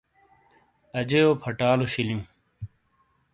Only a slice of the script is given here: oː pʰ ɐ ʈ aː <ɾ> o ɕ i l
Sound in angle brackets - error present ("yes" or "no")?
yes